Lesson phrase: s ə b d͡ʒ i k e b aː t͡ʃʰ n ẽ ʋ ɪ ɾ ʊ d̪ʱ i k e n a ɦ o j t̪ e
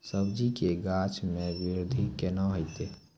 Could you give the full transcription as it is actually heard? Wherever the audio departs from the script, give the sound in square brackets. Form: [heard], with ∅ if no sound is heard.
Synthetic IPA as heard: s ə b d͡ʒ i k e [ɡ] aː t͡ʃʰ [m] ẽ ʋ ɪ ɾ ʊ d̪ʱ i k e n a ɦ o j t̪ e